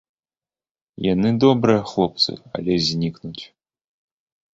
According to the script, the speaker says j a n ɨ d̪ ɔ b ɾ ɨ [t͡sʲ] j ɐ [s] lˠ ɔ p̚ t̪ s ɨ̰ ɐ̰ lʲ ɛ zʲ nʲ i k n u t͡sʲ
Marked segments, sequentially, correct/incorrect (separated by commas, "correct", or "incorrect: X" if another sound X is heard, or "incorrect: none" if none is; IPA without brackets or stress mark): incorrect: none, incorrect: x